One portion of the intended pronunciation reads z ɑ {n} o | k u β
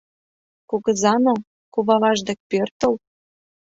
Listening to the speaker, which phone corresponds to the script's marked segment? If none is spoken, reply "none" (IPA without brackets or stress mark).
n